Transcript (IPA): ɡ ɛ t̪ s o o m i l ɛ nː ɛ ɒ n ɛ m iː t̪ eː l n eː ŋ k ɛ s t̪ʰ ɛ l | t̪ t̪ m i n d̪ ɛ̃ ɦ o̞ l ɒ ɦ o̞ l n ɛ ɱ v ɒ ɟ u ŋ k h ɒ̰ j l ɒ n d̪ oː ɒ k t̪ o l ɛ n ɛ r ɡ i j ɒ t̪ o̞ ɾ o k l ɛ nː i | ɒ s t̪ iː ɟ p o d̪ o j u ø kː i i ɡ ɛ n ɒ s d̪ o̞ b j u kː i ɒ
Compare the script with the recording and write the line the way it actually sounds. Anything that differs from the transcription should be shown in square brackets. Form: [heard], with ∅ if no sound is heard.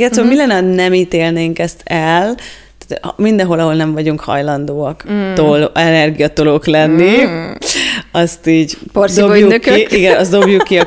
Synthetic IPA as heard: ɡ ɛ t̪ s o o m i l ɛ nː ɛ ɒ n ɛ m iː t̪ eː l n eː ŋ k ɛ s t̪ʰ ɛ l | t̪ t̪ m i n d̪ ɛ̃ ɦ o̞ l ɒ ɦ o̞ l n ɛ ɱ v ɒ ɟ u ŋ k h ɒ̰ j l ɒ n d̪ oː ɒ k t̪ o l ɛ n ɛ r ɡ i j ɒ t̪ o̞ [l] o k l ɛ nː i | ɒ s t̪ iː ɟ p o d̪ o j u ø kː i i ɡ ɛ n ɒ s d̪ o̞ b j u kː i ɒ